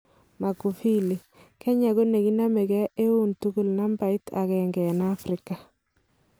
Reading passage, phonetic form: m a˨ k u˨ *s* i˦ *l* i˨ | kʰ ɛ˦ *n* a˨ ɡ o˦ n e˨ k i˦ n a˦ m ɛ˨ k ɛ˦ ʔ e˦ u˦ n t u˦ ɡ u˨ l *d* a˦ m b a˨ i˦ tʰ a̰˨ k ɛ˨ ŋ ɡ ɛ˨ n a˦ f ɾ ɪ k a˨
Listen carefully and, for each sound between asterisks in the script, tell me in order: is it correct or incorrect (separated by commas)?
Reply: incorrect, correct, incorrect, incorrect